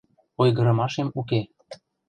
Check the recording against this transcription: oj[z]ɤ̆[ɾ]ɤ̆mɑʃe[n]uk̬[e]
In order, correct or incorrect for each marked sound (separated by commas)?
incorrect, correct, incorrect, correct